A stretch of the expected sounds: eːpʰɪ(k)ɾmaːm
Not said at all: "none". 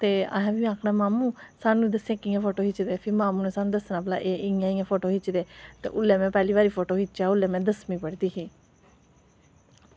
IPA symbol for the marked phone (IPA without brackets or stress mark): none